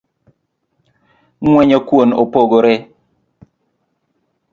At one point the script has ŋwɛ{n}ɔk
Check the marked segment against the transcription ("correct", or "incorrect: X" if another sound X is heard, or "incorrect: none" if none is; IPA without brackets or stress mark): incorrect: ɲ